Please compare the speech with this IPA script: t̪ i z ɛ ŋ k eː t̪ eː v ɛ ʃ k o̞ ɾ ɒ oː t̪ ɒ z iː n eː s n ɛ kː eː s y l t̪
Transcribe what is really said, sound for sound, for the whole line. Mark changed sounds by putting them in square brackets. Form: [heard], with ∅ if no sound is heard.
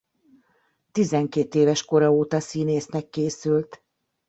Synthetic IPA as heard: t̪ i z ɛ ŋ k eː t̪ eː v ɛ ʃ k o̞ ɾ ɒ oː t̪ ɒ [s] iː n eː s n ɛ kː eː s y l t̪